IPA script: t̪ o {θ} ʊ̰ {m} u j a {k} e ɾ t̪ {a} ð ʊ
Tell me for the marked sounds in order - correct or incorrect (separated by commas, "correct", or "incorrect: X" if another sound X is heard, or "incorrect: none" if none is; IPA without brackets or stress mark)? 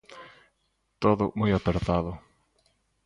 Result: incorrect: ð, correct, incorrect: p, correct